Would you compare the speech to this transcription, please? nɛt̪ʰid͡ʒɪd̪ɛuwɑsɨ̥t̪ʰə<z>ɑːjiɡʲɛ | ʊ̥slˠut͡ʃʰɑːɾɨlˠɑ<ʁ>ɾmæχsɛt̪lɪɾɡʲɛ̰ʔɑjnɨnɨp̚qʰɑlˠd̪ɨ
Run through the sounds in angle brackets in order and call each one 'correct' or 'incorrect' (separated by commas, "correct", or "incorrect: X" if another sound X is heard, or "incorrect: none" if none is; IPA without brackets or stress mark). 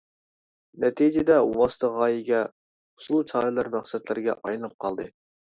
incorrect: ʁ, incorrect: none